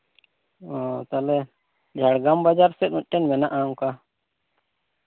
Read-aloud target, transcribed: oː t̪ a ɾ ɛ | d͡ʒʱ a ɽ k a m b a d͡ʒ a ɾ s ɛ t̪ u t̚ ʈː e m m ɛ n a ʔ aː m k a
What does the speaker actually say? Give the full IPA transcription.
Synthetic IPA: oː t̪ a l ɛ | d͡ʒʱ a ɽ ɡ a m b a d͡ʒ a ɾ s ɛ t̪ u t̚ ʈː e n m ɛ n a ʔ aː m k a